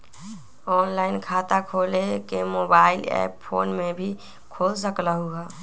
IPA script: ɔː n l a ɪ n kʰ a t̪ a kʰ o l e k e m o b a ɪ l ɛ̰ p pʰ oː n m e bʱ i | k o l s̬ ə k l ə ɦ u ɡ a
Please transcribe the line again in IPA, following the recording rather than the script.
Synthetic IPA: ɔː n l a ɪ n kʰ a t̪ a kʰ o l e k e m o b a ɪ l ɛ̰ p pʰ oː n m e bʱ i | kʰ o l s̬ ə k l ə ɦ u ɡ a

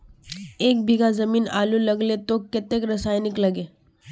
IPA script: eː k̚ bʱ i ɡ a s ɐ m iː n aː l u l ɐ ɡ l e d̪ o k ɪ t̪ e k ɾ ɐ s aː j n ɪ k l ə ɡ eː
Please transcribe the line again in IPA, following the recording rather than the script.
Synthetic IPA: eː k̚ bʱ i ɡ a z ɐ m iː n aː l u l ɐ ɡ l e t̪ o k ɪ t̪ e k ɾ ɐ s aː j n ɪ k l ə ɡ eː

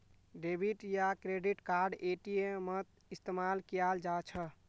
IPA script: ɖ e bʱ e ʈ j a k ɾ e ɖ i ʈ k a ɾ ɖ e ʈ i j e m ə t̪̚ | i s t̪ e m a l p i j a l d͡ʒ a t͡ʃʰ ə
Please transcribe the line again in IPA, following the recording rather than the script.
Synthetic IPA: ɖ e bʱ i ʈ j a k ɾ e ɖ i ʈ k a ɾ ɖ e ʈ i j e m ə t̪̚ | i s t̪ e m a l k i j a l d͡ʒ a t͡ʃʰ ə

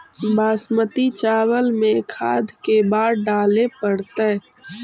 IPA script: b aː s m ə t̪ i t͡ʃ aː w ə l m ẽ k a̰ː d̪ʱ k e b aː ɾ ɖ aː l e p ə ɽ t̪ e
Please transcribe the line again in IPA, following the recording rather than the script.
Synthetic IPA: b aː s m ə t̪ i t͡ʃ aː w ə l m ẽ kʰ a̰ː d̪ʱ k e b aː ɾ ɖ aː l e p ə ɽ t̪ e

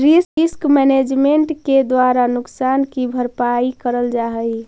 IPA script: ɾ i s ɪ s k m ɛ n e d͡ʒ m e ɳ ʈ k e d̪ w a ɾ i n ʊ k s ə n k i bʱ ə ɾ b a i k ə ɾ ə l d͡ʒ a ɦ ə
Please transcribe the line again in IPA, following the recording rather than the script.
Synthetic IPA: ɾ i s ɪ s k m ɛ n e d͡ʒ m e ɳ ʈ k e d̪ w a ɾ a n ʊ k s a n k i bʱ ə ɾ p a i k ə ɾ ə l d͡ʒ a ɦ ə

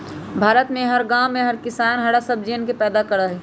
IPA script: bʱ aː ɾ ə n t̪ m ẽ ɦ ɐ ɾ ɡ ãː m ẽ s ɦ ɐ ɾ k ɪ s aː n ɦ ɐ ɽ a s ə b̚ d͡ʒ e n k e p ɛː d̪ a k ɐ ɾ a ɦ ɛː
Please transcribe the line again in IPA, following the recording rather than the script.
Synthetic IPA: bʱ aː ɾ ə t̪ m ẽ ɦ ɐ ɾ ɡ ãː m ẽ ɦ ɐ ɾ k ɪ s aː n ɦ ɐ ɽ a s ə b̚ d͡ʒ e n k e p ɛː d̪ a k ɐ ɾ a ɦ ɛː

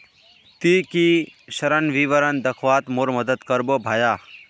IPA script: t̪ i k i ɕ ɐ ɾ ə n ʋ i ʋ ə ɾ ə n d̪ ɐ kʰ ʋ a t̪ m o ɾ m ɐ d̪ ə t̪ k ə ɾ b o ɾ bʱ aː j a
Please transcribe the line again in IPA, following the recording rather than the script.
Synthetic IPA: t̪ i k i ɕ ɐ ɾ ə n ʋ i ʋ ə ɾ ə n d̪ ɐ kʰ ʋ a t̪ m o ɾ m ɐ d̪ ə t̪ k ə ɾ b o bʱ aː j a

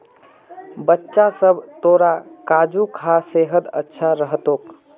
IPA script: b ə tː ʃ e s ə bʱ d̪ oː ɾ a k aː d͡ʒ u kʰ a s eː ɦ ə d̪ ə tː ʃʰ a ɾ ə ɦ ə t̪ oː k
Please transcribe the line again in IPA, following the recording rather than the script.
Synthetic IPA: b ə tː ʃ a s ə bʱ t̪ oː ɾ a k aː d͡ʒ u kʰ a s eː ɦ ə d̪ ə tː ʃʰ a ɾ ə ɦ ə t̪ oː k

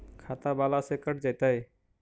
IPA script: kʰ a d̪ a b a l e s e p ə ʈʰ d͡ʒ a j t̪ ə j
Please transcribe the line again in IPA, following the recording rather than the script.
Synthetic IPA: kʰ a t̪ a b a l a s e k ə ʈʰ d͡ʒ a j t̪ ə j

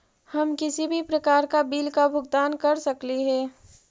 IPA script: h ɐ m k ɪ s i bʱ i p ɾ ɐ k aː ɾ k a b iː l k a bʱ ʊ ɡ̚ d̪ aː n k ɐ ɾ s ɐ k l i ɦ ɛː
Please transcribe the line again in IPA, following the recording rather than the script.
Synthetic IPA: h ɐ m k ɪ s i bʱ i p ɾ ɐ k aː ɾ k a b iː l k a bʱ ʊ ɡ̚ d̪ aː n k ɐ ɾ s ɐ k l i ɦ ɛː

